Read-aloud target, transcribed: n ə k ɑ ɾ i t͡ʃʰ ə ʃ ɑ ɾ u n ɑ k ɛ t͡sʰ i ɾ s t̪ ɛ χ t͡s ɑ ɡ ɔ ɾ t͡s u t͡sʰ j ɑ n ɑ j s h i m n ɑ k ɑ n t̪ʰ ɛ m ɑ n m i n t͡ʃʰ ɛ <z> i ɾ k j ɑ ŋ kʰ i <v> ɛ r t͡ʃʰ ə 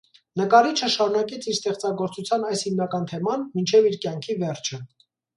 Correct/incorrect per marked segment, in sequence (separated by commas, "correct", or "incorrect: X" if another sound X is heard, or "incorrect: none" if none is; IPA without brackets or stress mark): incorrect: v, correct